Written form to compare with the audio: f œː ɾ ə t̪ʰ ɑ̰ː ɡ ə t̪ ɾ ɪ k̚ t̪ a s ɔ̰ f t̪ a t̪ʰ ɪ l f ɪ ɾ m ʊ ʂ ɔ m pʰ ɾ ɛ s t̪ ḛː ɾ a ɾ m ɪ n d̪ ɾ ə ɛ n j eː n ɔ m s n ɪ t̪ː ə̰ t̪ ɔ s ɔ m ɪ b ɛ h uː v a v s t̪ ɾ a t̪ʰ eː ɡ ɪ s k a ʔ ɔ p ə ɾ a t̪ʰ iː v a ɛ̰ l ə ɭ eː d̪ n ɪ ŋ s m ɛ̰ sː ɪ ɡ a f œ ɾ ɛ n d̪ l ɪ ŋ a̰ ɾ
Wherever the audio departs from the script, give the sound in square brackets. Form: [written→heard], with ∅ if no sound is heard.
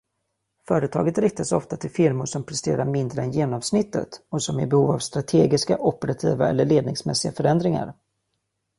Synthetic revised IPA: f œː ɾ ə t̪ʰ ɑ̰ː ɡ ə t̪ ɾ ɪ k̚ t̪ a s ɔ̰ f t̪ a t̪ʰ ɪ l f ɪ ɾ m ʊ ʂ ɔ m pʰ ɾ ɛ s t̪ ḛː ɾ a ɾ m ɪ n d̪ ɾ ə ɛ n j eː n ɔ m s n ɪ t̪ː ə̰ t̪ ɔ s ɔ m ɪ b ɛ h uː v a v s t̪ ɾ a t̪ʰ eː ɡ ɪ s k a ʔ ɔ p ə ɾ a t̪ʰ iː v a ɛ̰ [l→lː] ə ɭ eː d̪ n ɪ ŋ s m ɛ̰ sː ɪ ɡ a f œ ɾ ɛ n d̪ [l→ɾ] ɪ ŋ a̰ ɾ